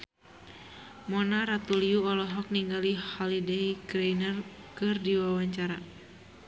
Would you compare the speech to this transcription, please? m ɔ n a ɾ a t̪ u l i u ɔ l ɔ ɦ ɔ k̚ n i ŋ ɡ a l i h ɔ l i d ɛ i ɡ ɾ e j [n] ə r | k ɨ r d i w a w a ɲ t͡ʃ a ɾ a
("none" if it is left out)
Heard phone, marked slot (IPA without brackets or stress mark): n